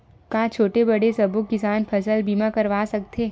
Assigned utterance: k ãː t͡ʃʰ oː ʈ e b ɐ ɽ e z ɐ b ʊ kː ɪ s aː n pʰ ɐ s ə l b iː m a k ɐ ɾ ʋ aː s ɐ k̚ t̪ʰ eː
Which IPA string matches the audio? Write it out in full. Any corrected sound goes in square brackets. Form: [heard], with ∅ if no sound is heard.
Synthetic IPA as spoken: k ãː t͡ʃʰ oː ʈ e b ɐ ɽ e [s] ɐ b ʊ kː ɪ s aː n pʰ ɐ s ə l b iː m a k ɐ ɾ ʋ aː s ɐ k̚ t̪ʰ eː

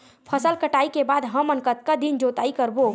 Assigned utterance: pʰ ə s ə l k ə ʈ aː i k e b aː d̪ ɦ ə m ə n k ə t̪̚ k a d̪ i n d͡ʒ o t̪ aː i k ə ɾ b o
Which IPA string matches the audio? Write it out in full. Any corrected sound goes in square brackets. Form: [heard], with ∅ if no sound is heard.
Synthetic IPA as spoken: pʰ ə s ə l k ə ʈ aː i k e b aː d̪ ɦ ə m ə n k ə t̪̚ k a d̪ i n d͡ʒ o t̪ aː i k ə ɾ b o

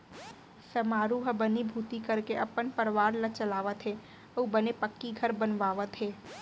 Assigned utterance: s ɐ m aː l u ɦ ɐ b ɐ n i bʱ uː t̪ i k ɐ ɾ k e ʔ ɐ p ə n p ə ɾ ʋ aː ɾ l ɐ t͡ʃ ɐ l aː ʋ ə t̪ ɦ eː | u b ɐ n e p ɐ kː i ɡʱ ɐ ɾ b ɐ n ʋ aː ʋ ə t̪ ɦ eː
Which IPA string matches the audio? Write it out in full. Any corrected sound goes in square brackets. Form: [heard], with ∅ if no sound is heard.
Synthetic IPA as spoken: s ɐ m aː [ɾ] u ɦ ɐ b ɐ n i bʱ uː t̪ i k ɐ ɾ k e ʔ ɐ p ə n p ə ɾ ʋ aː ɾ l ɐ t͡ʃ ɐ l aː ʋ ə t̪ ɦ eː | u b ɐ n e p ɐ kː i ɡʱ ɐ ɾ b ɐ n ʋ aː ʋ ə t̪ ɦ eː

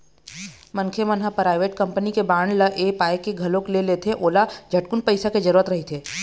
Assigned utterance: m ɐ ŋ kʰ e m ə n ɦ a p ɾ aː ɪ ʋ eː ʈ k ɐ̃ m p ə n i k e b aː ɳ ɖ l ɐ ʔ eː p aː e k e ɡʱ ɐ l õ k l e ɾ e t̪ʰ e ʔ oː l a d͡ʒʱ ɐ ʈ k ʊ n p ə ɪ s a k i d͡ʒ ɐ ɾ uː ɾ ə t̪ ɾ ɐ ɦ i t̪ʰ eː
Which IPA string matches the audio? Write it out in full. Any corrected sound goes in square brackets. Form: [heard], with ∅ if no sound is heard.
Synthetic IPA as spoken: m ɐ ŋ kʰ e m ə n ɦ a p ɾ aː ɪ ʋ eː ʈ k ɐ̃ m p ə n i k e b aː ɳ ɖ l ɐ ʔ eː p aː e k e ɡʱ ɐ l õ k l e [l] e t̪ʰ e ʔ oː l a d͡ʒʱ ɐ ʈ k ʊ n p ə ɪ s a k [e] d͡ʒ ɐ ɾ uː ɾ ə t̪ ɾ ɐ ɦ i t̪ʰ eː

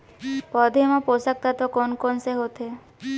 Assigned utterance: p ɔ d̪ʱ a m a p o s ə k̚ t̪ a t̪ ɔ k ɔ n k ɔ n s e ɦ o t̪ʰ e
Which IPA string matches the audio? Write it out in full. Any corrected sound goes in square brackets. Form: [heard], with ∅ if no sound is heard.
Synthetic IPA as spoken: p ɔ d̪ʱ [e] m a p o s [a] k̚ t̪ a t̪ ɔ k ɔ n k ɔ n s e ɦ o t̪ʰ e

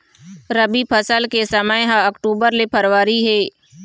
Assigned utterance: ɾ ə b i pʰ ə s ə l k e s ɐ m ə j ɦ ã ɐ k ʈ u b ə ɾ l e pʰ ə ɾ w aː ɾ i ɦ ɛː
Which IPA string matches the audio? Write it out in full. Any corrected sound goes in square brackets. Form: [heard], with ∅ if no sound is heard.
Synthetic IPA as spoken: ɾ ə b i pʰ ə s ə l k e s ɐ m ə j ɦ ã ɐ k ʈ [uː] b ə ɾ l e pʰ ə ɾ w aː ɾ i ɦ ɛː

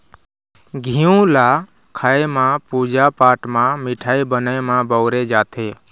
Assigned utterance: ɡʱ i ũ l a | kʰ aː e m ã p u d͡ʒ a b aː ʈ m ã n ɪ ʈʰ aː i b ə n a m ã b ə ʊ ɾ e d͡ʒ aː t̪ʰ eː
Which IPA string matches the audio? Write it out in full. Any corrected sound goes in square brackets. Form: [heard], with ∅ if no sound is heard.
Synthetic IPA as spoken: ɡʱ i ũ l a | kʰ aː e m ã p u d͡ʒ a [p] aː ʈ m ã [m] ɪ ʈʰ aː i b ə n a m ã b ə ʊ ɾ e d͡ʒ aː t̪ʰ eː

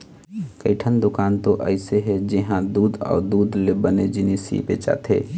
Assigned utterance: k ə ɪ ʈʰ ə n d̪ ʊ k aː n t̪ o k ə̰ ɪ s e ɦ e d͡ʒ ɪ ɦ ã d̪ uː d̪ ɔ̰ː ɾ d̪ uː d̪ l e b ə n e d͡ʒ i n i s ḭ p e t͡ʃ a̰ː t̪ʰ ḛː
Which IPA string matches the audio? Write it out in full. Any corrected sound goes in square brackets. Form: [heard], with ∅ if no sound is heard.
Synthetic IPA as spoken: k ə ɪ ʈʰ ə n d̪ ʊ k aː n t̪ o [ʔ] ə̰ ɪ s e ɦ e d͡ʒ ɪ ɦ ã d̪ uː d̪ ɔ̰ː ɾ d̪ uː d̪ l e b ə n e d͡ʒ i n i s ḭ p e t͡ʃ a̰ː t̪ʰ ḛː

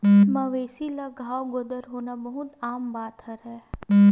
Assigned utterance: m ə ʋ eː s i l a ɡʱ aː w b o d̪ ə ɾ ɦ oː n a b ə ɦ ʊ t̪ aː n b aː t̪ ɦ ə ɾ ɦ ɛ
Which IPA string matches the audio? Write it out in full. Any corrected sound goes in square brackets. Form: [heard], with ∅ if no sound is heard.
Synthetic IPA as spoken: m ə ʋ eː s i l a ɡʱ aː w [ɡ] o d̪ ə ɾ ɦ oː n a b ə ɦ ʊ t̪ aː [m] b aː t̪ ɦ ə ɾ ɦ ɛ

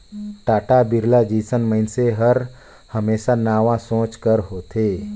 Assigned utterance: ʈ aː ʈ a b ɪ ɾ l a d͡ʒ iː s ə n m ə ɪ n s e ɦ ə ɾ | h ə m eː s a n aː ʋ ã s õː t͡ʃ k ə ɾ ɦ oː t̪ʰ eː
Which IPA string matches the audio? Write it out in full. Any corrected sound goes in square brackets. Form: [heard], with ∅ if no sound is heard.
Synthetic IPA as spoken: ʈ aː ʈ a b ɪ ɾ l a d͡ʒ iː s ə n m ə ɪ n s e ɦ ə ɾ | h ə m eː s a n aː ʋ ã s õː t͡ʃ k ə ɾ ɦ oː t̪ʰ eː

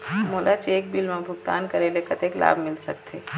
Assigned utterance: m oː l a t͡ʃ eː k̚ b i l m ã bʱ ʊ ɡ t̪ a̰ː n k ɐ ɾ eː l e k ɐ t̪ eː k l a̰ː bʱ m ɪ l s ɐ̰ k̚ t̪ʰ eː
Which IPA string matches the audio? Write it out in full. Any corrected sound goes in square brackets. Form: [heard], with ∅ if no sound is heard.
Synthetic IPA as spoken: m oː l a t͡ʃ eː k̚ b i l m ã bʱ ʊ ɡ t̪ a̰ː n k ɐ ɾ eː l e k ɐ t̪ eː k l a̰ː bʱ m ɪ l s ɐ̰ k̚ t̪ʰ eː

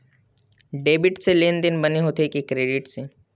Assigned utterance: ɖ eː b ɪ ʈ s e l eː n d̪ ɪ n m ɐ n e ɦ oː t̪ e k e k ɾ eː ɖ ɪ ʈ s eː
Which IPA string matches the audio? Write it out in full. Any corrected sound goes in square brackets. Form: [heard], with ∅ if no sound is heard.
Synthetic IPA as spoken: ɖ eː b ɪ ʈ s e l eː n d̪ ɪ n [b] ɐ n e ɦ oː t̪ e k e k ɾ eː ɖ ɪ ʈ s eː

